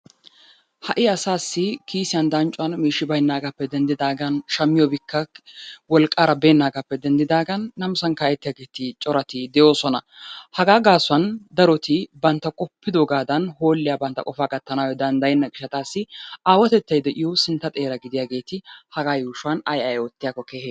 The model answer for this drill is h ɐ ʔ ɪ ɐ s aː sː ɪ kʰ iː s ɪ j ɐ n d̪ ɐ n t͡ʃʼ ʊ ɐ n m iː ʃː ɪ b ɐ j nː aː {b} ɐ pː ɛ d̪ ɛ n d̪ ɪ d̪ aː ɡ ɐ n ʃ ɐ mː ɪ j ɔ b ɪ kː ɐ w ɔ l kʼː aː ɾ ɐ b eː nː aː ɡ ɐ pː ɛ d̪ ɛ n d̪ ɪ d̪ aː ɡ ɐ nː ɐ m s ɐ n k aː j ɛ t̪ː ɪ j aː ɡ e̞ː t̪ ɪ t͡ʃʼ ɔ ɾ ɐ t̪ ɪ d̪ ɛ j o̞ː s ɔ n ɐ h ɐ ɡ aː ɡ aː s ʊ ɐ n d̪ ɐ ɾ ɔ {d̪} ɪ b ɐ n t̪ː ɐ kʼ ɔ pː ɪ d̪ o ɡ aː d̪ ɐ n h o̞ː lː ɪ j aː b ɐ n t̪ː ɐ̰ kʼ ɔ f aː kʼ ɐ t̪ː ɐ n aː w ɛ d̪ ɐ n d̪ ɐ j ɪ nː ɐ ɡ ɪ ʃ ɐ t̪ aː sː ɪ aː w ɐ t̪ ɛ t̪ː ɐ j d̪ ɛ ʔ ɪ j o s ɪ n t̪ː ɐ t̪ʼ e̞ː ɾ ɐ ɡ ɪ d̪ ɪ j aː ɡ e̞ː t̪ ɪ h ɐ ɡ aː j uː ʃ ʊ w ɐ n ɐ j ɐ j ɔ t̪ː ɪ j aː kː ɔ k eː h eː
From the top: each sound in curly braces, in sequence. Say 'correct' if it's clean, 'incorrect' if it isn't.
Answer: incorrect: ɡ, incorrect: t̪

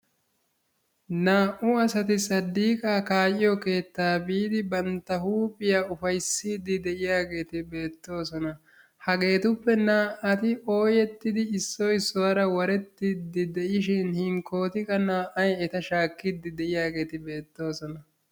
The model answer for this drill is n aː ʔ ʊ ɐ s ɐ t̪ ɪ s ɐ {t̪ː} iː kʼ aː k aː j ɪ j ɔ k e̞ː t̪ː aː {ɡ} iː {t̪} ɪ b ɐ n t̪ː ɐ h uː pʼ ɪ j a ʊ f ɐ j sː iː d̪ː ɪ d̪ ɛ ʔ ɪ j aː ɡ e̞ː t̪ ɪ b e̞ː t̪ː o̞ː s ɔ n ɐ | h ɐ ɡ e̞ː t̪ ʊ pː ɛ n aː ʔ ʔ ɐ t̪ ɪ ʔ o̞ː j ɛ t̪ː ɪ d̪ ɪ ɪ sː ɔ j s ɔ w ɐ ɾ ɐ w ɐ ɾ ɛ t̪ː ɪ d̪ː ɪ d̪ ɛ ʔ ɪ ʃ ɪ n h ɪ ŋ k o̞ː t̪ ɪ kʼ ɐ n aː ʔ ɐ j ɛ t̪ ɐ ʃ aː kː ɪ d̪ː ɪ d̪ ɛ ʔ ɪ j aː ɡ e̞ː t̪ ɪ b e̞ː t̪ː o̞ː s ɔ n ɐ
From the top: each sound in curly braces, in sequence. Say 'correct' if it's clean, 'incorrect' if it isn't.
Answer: incorrect: d̪ː, incorrect: b, incorrect: d̪

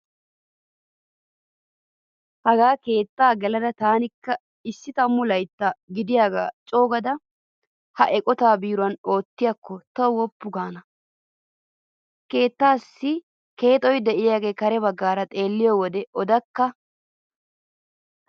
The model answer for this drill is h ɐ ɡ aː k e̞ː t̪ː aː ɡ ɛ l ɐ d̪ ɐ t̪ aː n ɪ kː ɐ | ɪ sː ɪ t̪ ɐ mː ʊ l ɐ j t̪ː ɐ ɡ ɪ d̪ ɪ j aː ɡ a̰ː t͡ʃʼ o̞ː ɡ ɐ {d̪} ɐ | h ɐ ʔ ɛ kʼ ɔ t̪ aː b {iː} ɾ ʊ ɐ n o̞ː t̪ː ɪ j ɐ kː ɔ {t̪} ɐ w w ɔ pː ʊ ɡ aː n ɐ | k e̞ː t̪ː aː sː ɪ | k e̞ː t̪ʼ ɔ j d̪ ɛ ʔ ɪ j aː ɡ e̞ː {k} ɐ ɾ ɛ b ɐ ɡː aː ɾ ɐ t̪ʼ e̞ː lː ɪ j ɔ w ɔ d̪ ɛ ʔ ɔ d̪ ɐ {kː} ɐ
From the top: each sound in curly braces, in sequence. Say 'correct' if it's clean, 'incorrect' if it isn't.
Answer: correct, correct, correct, correct, correct

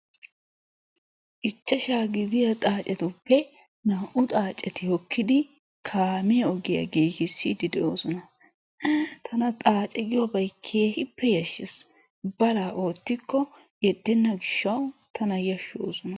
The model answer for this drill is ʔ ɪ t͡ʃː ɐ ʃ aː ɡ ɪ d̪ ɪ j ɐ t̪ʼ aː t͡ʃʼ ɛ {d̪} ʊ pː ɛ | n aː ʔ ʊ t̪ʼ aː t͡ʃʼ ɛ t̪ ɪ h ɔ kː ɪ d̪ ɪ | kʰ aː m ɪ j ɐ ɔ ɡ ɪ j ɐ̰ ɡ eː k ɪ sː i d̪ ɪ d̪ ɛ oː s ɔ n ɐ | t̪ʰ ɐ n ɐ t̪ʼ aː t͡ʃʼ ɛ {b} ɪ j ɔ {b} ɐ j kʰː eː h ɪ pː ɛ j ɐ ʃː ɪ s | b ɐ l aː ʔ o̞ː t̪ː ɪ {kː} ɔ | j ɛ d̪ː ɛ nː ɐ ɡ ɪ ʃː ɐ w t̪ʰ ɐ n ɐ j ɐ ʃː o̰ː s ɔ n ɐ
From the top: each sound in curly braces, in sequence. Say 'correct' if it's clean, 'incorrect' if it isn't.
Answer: incorrect: t̪, incorrect: ɡ, correct, correct

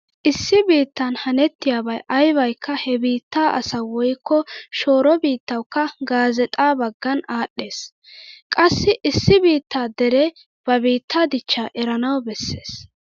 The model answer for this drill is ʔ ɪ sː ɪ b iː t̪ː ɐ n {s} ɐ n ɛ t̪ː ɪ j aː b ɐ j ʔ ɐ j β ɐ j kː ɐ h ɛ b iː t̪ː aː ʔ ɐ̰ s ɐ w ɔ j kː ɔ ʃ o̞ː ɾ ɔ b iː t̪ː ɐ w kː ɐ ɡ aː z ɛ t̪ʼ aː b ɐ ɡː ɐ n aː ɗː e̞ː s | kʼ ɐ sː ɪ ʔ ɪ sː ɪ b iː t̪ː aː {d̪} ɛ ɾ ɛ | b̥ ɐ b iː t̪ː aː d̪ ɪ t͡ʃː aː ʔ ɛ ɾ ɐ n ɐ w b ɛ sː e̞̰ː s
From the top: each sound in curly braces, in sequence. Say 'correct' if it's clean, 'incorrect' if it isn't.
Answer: incorrect: h, correct

